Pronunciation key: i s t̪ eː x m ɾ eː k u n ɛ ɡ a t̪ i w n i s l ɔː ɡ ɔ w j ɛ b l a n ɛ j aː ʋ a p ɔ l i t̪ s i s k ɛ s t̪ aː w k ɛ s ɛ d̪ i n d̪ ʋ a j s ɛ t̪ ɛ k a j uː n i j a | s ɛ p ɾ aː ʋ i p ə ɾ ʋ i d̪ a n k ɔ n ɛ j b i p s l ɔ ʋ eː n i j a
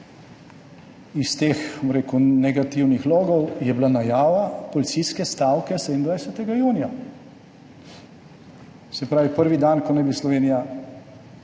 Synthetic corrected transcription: i s t̪ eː x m ɾ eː k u n ɛ ɡ a t̪ i w n i x l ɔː ɡ ɔ w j ɛ b l a n a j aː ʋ a p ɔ l i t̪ s i s k ɛ s t̪ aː w k ɛ s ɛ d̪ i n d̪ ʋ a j s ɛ t̪ ɛ ɡ a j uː n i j a | s ɛ p ɾ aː ʋ i p ə ɾ ʋ i d̪ a n k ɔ n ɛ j b i s l ɔ ʋ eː n i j a

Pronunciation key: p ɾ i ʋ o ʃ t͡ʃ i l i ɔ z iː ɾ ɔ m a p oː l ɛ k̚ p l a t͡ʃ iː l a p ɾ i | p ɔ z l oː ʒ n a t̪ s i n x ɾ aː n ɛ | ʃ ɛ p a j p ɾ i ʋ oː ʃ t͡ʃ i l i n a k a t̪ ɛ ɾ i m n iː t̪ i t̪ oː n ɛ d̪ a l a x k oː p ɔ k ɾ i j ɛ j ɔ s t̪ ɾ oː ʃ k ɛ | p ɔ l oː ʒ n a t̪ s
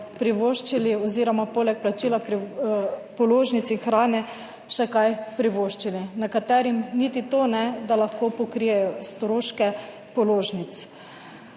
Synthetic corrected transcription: p ɾ i ʋ o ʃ t͡ʃ i l i ɔ z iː ɾ ɔ m a p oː l ɛ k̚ p l a t͡ʃ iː l a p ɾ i | p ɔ l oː ʒ n i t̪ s i n x ɾ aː n ɛ | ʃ ɛ k a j p ɾ i ʋ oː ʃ t͡ʃ i l i n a k a t̪ ɛ ɾ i m n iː t̪ i t̪ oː n ɛ d̪ a l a x k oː p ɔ k ɾ i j ɛ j ɔ s t̪ ɾ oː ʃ k ɛ | p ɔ l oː ʒ n i t̪ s

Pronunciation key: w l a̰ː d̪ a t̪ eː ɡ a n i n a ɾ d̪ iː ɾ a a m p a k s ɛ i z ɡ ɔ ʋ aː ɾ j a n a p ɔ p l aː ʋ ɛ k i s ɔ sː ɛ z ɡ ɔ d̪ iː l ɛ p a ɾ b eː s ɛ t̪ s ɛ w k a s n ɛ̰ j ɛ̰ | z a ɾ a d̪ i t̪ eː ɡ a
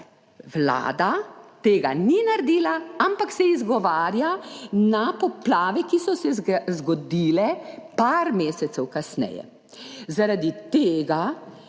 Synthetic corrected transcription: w l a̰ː d̪ a t̪ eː ɡ a n i n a ɾ d̪ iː l a a m p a k s ɛ i z ɡ ɔ ʋ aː ɾ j a n a p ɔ p l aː ʋ ɛ k i s ɔ s ɛ z ɡ ɔ d̪ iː l ɛ p a ɾ m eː s ɛ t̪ s ɛ w k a s n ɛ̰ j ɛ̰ | z a ɾ a d̪ i t̪ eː ɡ a

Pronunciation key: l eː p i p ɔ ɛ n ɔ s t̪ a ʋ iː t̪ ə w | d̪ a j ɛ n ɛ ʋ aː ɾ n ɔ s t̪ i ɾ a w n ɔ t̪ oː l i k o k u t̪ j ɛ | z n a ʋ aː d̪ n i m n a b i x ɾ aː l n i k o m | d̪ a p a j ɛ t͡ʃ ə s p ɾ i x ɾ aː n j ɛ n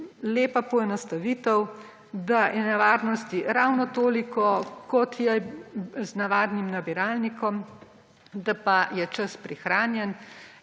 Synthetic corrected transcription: l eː p a p ɔ ɛ n ɔ s t̪ a ʋ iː t̪ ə w | d̪ a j ɛ n ɛ ʋ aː ɾ n ɔ s t̪ i ɾ a w n ɔ t̪ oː l i k ɔ k ɔ t̪ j ɛ | z n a ʋ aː d̪ n i m n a b i ɾ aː l n i k ɔ m | d̪ a p a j ɛ t͡ʃ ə s p ɾ i x ɾ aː n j ɛ n

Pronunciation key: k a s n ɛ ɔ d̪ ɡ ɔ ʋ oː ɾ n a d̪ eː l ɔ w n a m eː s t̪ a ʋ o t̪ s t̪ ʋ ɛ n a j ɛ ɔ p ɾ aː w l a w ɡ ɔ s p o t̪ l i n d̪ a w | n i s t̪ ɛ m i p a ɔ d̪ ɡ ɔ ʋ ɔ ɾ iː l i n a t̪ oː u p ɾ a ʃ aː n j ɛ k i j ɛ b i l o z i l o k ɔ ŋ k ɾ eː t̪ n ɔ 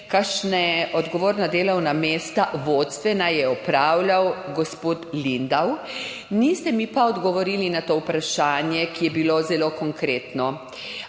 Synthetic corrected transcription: k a ʃ n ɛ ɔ d̪ ɡ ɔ ʋ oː ɾ n a d̪ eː l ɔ w n a m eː s t̪ a ʋ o t̪ s t̪ ʋ ɛ n a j ɛ ɔ p ɾ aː w l a w ɡ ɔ s p o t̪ l i n d̪ a w | n i s t̪ ɛ m i p a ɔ d̪ ɡ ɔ ʋ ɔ ɾ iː l i n a t̪ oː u p ɾ a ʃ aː n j ɛ k i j ɛ b i l o z ɛ l o k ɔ ŋ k ɾ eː t̪ n ɔ

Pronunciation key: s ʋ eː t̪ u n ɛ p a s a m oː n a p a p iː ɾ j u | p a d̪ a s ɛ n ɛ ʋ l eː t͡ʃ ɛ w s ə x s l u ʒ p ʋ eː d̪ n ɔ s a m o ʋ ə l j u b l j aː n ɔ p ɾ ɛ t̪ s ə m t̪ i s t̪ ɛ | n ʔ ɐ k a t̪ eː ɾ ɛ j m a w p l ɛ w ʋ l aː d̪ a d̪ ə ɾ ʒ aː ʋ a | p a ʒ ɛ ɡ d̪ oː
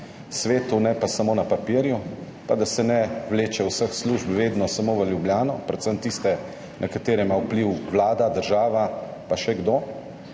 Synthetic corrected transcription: s ʋ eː t̪ u n ɛ p a s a m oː n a p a p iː ɾ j u | p a d̪ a s ɛ n ɛ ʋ l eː t͡ʃ ɛ w s ə x s l u ʒ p ʋ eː d̪ n ɔ s a m o ʋ ə l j u b l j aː n ɔ p ɾ ɛ t̪ s ə m t̪ i s t̪ ɛ | n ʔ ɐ k a t̪ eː ɾ ɛ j m a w p l i w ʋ l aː d̪ a d̪ ə ɾ ʒ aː ʋ a | p a ʃ ɛ ɡ d̪ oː

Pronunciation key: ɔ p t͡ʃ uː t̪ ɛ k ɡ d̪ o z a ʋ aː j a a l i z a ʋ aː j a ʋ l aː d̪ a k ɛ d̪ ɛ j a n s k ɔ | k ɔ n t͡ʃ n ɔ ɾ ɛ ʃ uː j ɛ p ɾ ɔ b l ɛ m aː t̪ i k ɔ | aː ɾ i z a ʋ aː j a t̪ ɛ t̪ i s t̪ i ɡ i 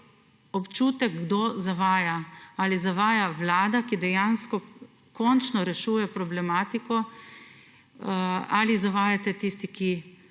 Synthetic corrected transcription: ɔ p t͡ʃ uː t̪ ɛ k ɡ d̪ o z a ʋ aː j a a l i z a ʋ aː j a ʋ l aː d̪ a k i d̪ ɛ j a n s k ɔ | k ɔ n t͡ʃ n ɔ ɾ ɛ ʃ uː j ɛ p ɾ ɔ b l ɛ m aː t̪ i k ɔ | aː l i z a ʋ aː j a t̪ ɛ t̪ i s t̪ i k i

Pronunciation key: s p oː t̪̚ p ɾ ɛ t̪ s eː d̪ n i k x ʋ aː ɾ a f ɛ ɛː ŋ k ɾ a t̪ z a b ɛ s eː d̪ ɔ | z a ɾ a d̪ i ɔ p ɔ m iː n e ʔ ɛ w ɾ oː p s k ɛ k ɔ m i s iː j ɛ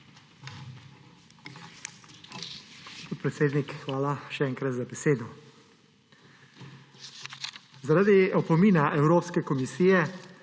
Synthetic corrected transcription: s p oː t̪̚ p ɾ ɛ t̪ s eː d̪ n i k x ʋ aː l a ʃ ɛ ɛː ŋ k ɾ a t̪ z a b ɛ s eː d̪ ɔ | z a ɾ a d̪ i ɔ p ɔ m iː n a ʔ ɛ w ɾ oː p s k ɛ k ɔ m i s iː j ɛ

